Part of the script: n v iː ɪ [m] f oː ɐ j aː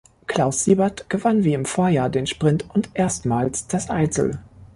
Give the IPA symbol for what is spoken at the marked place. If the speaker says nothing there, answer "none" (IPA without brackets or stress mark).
m